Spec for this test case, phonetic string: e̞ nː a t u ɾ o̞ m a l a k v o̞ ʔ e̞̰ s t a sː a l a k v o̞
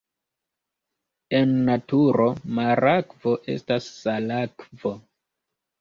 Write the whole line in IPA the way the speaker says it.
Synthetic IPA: e̞ nː a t u ɾ o̞ m a ɾ a k v o̞ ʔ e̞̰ s t a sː a l a k v o̞